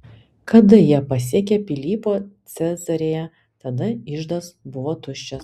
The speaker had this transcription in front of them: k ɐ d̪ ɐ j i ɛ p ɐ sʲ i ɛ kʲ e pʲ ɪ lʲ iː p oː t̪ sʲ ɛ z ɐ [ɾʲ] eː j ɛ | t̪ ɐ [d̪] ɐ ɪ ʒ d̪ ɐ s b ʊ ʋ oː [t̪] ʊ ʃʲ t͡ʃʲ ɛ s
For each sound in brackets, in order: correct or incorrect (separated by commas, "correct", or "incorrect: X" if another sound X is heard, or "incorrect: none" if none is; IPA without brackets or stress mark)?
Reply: correct, correct, correct